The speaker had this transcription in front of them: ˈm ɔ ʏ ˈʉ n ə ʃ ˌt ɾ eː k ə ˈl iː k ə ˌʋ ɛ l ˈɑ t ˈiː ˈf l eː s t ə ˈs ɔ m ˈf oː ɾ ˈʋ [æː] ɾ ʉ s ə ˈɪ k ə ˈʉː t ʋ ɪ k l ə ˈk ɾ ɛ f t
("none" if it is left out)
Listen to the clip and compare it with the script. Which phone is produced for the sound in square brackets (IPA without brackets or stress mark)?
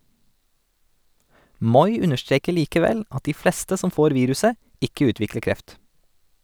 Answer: iː